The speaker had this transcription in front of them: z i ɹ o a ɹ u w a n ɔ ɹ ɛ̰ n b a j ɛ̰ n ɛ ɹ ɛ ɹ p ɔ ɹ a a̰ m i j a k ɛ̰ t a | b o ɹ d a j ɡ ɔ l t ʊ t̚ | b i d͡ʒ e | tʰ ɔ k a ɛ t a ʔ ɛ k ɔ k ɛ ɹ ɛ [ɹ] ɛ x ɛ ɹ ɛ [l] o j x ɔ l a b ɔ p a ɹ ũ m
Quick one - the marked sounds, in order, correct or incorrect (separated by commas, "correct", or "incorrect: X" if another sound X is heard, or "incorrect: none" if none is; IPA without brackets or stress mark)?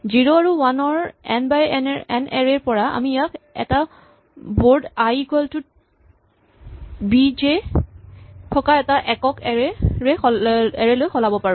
correct, correct